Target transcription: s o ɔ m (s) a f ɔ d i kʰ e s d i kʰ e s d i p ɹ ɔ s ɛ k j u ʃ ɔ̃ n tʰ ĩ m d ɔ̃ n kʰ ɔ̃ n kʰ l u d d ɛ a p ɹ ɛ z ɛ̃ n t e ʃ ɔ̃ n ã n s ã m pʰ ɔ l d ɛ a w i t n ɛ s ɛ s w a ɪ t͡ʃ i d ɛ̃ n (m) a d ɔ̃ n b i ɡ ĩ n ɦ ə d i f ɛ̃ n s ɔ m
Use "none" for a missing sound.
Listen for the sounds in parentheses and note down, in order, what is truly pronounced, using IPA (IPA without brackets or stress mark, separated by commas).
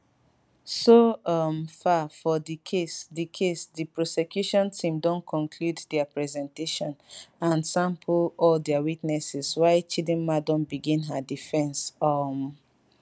f, m